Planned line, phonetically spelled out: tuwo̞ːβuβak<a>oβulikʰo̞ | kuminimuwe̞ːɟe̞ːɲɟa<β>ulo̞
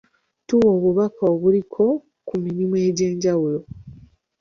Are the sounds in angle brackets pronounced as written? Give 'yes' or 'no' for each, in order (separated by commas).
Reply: yes, no